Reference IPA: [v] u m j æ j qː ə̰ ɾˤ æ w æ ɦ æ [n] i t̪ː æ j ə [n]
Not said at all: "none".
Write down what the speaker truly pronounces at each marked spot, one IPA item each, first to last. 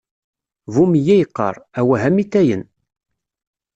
v, m, n

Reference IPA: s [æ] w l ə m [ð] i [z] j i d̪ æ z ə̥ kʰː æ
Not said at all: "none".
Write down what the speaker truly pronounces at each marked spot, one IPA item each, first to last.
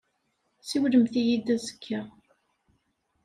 i, θ, none

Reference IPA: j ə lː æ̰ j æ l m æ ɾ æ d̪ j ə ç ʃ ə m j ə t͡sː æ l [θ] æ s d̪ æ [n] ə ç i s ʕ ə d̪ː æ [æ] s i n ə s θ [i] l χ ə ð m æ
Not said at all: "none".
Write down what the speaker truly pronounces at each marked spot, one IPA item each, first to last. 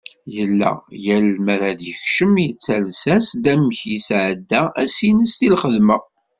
s, m, æ, i

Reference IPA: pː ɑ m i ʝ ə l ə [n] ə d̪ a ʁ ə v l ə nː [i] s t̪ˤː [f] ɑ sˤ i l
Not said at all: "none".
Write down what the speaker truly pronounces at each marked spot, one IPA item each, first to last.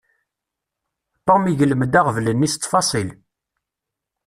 m, i, f

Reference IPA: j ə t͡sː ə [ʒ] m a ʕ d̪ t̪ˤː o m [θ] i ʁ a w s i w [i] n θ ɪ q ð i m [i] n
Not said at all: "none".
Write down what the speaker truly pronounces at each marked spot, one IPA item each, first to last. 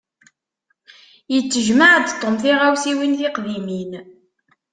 ʒ, θ, i, i

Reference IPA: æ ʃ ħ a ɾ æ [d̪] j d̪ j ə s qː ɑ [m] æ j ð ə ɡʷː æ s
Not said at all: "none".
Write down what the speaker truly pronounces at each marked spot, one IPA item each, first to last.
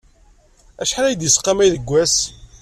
none, m

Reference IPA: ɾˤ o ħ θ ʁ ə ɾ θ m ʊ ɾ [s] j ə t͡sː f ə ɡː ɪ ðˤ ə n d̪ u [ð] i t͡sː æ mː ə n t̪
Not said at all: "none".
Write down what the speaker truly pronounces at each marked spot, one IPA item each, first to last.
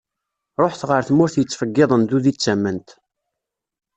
θ, ð

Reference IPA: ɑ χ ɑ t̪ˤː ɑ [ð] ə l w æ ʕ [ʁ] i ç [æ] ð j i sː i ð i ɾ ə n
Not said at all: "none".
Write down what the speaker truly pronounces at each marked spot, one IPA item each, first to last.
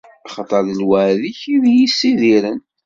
ð, ð, i

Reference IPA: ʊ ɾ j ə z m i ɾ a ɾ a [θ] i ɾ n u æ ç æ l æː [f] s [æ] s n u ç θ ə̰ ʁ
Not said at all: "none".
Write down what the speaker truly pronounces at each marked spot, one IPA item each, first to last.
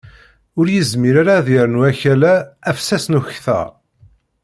ð, f, æ

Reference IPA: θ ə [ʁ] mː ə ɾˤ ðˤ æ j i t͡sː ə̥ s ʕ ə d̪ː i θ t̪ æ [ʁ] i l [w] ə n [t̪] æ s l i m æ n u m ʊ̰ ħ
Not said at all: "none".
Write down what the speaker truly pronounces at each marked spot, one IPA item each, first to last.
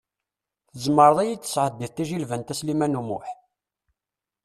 z, ʒ, v, t̪

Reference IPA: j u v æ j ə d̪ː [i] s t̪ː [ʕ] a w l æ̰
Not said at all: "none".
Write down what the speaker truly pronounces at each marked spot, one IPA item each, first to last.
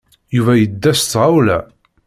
æ, ʁ

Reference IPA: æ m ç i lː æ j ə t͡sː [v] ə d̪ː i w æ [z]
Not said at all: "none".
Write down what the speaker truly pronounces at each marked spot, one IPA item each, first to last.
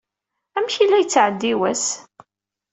ʕ, s

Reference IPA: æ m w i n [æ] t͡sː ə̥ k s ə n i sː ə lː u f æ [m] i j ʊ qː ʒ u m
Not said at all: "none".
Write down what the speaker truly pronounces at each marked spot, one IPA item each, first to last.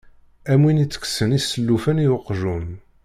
i, n

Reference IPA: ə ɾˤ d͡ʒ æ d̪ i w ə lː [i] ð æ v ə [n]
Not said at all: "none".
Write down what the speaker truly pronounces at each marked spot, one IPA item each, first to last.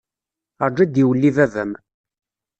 i, m

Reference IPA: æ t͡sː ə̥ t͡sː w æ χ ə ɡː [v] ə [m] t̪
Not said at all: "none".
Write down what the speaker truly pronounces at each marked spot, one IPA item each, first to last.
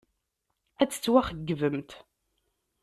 v, m

